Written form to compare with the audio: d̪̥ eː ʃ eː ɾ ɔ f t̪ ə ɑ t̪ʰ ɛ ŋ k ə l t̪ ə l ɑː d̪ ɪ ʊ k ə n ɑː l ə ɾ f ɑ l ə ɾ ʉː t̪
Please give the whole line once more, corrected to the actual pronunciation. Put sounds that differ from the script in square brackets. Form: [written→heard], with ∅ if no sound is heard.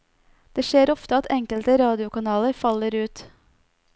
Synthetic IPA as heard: d̪̥ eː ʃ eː ɾ ɔ f t̪ ə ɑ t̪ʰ ɛ ŋ k ə l t̪ ə [l→ɾ] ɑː d̪ ɪ ʊ k [ə→ɑ] n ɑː l ə ɾ f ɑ l ə ɾ ʉː t̪

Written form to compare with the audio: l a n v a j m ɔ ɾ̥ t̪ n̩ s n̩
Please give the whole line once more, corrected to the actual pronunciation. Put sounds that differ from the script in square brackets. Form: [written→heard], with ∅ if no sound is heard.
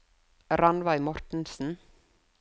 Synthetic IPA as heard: [l→ɾ] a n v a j m ɔ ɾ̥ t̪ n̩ s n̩

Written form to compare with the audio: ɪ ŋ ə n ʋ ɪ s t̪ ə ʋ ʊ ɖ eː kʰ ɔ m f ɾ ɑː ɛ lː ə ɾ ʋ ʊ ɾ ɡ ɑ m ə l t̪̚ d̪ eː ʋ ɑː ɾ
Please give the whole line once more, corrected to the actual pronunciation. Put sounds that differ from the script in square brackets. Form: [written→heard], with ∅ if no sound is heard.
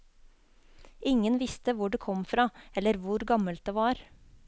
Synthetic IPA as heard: ɪ ŋ ə n ʋ ɪ s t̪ ə ʋ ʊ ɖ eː kʰ ɔ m f ɾ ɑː ɛ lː ə ɾ ʋ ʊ ɾ ɡ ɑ m ə l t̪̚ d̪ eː ʋ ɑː ɾ

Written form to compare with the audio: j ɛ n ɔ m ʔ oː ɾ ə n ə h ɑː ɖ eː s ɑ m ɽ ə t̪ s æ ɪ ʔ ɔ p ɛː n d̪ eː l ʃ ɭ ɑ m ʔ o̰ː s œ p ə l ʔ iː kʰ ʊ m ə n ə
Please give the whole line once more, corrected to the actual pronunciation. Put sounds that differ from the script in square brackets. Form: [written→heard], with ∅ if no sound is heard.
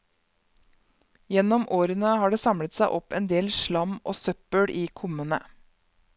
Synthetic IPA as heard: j ɛ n ɔ m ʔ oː ɾ ə n ə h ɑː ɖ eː s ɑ m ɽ ə t̪ s æ ɪ ʔ ɔ p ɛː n d̪ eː l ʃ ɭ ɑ m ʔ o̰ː s œ p ə [l→ɽ] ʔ iː kʰ ʊ m ə n ə

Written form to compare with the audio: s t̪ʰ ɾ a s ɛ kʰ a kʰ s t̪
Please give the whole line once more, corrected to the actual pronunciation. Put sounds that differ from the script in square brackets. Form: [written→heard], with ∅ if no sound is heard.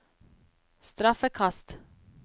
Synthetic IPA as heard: s [t̪ʰ→t̪] ɾ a [s→f] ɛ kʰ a [kʰ→∅] s t̪

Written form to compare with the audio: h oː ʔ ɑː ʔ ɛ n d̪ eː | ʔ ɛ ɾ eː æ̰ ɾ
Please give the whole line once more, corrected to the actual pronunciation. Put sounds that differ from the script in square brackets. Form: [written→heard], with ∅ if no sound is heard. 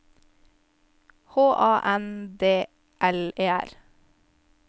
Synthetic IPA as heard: h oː ʔ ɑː ʔ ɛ n d̪ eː | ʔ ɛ [ɾ→l] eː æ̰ ɾ

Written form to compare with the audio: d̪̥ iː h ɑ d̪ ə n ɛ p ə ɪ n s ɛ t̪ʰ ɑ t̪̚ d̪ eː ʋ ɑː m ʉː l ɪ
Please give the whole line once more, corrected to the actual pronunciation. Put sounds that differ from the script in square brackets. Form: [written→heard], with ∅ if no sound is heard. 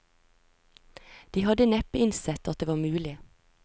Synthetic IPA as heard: d̪̥ iː h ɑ d̪ ə n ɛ p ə ɪ n s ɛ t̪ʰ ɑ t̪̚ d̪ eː ʋ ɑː m ʉː l ɪ

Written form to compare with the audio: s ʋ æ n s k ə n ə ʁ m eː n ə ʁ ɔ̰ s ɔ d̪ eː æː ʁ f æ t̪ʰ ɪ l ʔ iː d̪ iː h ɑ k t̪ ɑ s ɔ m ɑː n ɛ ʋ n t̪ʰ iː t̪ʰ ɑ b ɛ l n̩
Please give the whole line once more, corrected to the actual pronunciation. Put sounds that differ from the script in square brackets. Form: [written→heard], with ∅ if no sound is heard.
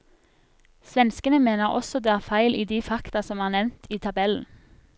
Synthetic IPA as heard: s ʋ [æ→ɛ] n s k ə n ə [ʁ→∅] m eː n ə ʁ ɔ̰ s ɔ d̪ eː æː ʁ f æ [t̪ʰ→∅] ɪ l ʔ iː d̪ iː [h→f] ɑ k t̪ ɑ s ɔ m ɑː n ɛ ʋ n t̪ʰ iː t̪ʰ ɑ b ɛ l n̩

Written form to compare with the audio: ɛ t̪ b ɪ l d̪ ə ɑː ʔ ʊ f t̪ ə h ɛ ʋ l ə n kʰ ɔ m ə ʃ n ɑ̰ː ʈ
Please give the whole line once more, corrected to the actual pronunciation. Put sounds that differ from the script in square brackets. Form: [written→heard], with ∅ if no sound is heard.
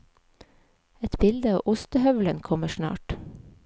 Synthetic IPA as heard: ɛ t̪ b ɪ l d̪ ə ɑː ʔ ʊ [f→s] t̪ ə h [ɛ→œ] ʋ l ə n kʰ ɔ m ə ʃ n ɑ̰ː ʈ

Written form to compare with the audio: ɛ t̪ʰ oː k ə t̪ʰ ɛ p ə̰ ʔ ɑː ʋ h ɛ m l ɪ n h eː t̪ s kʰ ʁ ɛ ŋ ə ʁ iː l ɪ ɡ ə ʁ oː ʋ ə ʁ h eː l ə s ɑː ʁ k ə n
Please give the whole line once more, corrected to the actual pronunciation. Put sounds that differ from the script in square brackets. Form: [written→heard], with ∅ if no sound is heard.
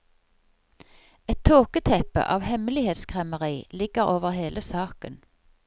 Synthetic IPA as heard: ɛ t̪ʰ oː k ə t̪ʰ ɛ p ə̰ ʔ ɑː ʋ h ɛ m l ɪ [n→∅] h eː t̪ s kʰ ʁ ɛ [ŋ→m] ə ʁ iː l ɪ ɡ ə ʁ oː ʋ ə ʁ h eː l ə s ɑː [ʁ→∅] k ə n

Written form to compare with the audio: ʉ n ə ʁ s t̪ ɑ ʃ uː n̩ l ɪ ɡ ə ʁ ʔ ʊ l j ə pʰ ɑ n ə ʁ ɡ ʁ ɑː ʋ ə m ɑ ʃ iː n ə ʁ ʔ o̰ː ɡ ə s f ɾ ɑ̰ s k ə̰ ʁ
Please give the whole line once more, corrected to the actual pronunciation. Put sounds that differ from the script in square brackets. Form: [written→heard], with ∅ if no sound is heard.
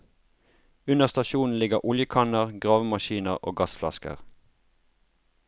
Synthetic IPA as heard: ʉ n ə ʁ s t̪ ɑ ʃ uː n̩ l ɪ ɡ ə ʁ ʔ ʊ l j ə [pʰ→kʰ] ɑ n ə ʁ ɡ ʁ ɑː ʋ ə m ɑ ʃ iː n ə ʁ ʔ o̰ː ɡ [ə→ɑ] s f [ɾ→l] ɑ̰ s k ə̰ ʁ

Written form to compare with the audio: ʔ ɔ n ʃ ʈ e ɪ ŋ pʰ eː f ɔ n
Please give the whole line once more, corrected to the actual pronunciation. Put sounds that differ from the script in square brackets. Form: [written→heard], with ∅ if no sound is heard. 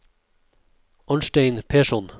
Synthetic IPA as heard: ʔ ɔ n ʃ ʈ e ɪ [ŋ→n] pʰ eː [f→ʃ] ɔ n

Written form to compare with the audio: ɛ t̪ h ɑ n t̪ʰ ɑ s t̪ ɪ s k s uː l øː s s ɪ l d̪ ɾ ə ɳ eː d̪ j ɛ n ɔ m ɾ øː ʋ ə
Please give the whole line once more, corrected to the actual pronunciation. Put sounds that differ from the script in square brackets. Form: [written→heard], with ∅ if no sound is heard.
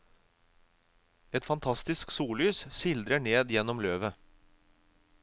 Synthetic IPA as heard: ɛ t̪ [h→f] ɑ n t̪ʰ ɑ s t̪ ɪ s k s uː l [øː→yː] s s ɪ l d̪ ɾ ə ɳ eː d̪ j ɛ n ɔ m [ɾ→l] øː ʋ ə

